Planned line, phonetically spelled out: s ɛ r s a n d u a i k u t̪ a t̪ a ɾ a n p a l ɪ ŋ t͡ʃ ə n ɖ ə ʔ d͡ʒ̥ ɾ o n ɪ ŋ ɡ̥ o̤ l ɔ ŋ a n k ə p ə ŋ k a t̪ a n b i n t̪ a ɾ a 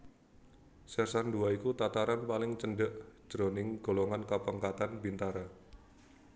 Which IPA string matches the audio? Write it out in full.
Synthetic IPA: s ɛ r s a n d u a i k u t̪ a t̪ a ɾ a n p a l ɪ ŋ t͡ʃ ə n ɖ ə ʔ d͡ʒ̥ ɾ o n ɪ ŋ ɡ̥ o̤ l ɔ ŋ a n k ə p ə ŋ k a t̪ a n b i n t̪ a ɾ a